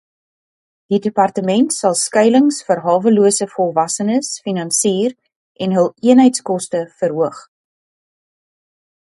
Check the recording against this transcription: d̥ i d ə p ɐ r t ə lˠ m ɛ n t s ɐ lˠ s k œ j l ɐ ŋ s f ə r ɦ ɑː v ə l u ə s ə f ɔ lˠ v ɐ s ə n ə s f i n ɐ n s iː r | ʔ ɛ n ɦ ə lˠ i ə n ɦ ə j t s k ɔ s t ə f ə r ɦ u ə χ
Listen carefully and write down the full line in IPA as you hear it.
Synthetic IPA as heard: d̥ i d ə p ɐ r t ə m ɛ n t s ɐ lˠ s k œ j l ə ŋ s f ə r ɦ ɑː v ə l u ə s ə f ɔ lˠ v ɐ s ə n ə s f i n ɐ n s iː r | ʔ ɛ n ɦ ə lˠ i ə n ɦ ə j t s k ɔ s t ə f ə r ɦ u ə χ